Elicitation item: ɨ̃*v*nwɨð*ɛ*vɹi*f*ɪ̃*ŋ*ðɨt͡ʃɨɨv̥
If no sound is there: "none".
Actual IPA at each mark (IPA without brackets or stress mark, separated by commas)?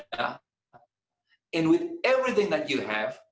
none, ɛ, θ, ŋ